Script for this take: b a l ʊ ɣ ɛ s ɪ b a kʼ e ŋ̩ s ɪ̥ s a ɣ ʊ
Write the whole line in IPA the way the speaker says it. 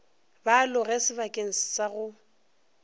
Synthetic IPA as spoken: b a l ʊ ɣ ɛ s ɪ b a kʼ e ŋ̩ s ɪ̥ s a ɣ ʊ